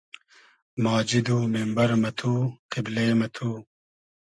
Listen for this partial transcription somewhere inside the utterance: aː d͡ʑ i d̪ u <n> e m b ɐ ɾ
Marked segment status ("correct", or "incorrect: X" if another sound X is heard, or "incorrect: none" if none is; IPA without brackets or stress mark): incorrect: m